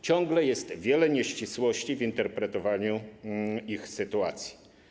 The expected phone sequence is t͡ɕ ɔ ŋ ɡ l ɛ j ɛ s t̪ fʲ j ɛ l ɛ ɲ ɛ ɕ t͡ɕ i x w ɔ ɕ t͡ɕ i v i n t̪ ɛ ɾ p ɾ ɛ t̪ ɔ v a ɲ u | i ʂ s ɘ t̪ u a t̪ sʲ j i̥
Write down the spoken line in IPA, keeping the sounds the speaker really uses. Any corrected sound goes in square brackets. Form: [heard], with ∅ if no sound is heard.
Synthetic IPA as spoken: t͡ɕ ɔ ŋ ɡ l ɛ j ɛ s t̪ [vʲ] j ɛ l ɛ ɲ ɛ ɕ t͡ɕ i [s] w ɔ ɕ t͡ɕ i v i n t̪ ɛ ɾ p ɾ ɛ t̪ ɔ v a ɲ u | i [x] s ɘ t̪ u a t̪ sʲ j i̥

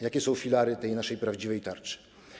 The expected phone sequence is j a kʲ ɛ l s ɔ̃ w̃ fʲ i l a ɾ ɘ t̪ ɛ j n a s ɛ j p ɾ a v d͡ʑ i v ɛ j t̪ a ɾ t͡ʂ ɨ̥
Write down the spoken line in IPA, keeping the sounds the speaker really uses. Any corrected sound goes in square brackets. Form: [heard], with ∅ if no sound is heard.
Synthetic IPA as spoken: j a kʲ ɛ [∅] s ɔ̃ w̃ fʲ i l a ɾ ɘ t̪ ɛ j n a [ʂ] ɛ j p ɾ a v d͡ʑ i v ɛ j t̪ a ɾ t͡ʂ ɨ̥

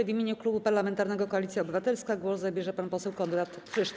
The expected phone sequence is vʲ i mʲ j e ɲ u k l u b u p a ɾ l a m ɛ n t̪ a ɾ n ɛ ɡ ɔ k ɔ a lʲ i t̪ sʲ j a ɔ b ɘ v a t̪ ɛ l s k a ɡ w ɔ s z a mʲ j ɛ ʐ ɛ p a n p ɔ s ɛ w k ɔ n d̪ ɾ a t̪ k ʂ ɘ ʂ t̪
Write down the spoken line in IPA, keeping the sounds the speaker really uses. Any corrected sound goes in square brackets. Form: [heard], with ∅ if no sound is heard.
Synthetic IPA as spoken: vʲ i mʲ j e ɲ u k l u b u p a ɾ l a m ɛ n t̪ a ɾ n ɛ ɡ ɔ k ɔ a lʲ i t̪ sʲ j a ɔ b ɘ v a t̪ ɛ l s k a ɡ w ɔ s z a [bʲ] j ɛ ʐ ɛ p a n p ɔ s ɛ w k ɔ n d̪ ɾ a t̪ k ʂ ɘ ʂ t̪

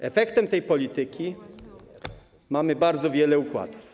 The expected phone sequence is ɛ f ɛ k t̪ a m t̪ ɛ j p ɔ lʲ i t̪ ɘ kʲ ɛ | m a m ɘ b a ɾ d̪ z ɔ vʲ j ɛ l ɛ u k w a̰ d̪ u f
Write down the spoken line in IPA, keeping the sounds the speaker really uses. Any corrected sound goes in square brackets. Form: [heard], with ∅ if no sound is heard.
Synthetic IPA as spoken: ɛ f ɛ k t̪ [ɛ] m t̪ ɛ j p ɔ lʲ i t̪ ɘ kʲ [i] | m a m ɘ b a ɾ d̪ z ɔ vʲ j ɛ l ɛ u k w a̰ d̪ u f

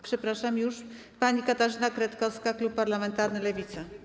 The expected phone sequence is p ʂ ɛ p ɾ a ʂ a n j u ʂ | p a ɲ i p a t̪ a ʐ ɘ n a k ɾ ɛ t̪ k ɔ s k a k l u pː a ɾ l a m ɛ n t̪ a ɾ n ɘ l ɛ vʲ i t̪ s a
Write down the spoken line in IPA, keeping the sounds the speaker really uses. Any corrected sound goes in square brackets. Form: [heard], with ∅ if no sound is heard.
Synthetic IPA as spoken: p ʂ ɛ p ɾ a ʂ a [m] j u ʂ | p a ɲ i [k] a t̪ a ʐ ɘ n a k ɾ ɛ t̪ k ɔ s k a k l u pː a ɾ l a m ɛ n t̪ a ɾ n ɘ l ɛ vʲ i t̪ s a

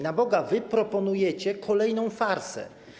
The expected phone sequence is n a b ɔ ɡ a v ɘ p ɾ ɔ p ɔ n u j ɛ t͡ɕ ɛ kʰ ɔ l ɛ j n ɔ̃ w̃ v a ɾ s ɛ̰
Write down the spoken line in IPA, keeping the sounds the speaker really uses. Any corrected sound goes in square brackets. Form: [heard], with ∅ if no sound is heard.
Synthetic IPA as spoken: n a b ɔ ɡ a v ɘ p ɾ ɔ p ɔ n u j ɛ t͡ɕ ɛ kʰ ɔ l ɛ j n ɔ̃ w̃ [f] a ɾ s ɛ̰

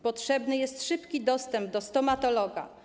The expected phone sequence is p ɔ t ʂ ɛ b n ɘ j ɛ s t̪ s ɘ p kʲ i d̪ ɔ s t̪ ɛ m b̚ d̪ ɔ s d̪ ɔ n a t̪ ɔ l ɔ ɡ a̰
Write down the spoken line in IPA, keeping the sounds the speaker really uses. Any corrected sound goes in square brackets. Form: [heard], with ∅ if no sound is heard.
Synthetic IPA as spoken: p ɔ t ʂ ɛ b n ɘ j ɛ s t̪ [ʂ] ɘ p kʲ i d̪ ɔ s t̪ ɛ m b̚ d̪ ɔ s [t̪] ɔ [m] a t̪ ɔ l ɔ ɡ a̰

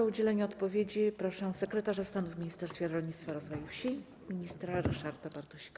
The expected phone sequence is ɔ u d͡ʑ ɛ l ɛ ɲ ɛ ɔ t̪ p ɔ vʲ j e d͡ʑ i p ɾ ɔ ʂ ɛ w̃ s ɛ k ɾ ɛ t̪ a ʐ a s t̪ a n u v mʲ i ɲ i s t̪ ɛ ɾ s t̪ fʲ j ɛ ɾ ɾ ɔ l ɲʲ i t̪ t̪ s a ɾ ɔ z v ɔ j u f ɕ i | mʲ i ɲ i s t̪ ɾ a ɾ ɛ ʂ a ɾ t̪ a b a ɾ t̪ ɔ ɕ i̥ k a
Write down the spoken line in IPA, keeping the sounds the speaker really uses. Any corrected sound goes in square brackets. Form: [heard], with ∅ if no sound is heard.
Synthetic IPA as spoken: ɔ u d͡ʑ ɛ l ɛ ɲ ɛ ɔ t̪ p ɔ vʲ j e d͡ʑ i p ɾ ɔ ʂ ɛ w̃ s ɛ k ɾ ɛ t̪ a ʐ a s t̪ a n u v mʲ i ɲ i s t̪ ɛ ɾ s t̪ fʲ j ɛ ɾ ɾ ɔ l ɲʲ i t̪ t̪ [f] a ɾ ɔ z v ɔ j u f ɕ i | mʲ i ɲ i s t̪ ɾ a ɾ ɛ ʂ a ɾ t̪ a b a ɾ t̪ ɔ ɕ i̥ k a

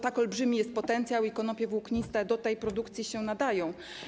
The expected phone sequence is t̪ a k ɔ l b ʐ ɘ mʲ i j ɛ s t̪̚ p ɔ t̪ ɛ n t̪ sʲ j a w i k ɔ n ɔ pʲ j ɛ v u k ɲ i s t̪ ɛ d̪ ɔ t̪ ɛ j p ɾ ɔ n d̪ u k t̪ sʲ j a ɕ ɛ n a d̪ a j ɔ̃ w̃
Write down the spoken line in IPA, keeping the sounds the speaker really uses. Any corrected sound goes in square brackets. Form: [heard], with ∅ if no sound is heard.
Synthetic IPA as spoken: t̪ a k ɔ l b ʐ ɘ mʲ i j ɛ s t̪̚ p ɔ t̪ ɛ n t̪ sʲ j a w i k ɔ n ɔ pʲ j ɛ v u k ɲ i s t̪ ɛ d̪ ɔ t̪ ɛ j p ɾ ɔ [∅] d̪ u k t̪ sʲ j [i] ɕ ɛ n a d̪ a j ɔ̃ w̃

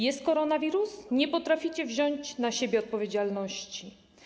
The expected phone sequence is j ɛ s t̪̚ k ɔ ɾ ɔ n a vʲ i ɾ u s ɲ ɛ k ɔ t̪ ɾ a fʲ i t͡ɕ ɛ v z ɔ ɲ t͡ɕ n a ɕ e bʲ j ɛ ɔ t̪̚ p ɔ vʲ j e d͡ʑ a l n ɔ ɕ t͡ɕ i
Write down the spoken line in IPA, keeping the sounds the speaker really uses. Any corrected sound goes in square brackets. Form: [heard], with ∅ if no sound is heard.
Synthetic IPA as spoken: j ɛ s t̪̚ k ɔ ɾ ɔ n a vʲ i ɾ u s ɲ ɛ [p] ɔ t̪ ɾ a fʲ i t͡ɕ ɛ v [ʑ] ɔ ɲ t͡ɕ n a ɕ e bʲ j ɛ ɔ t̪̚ p ɔ vʲ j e d͡ʑ a l n ɔ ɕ t͡ɕ i

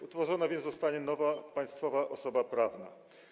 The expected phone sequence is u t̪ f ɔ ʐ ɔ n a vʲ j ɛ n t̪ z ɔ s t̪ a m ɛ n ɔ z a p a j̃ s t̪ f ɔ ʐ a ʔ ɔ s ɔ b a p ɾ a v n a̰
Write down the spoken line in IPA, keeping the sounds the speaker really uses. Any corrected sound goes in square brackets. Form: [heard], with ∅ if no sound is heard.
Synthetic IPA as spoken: u t̪ f ɔ ʐ ɔ n a vʲ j ɛ n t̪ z ɔ s t̪ a [ɲ] ɛ n ɔ [v] a p a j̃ s t̪ f ɔ [v] a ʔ ɔ s ɔ b a p ɾ a v n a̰

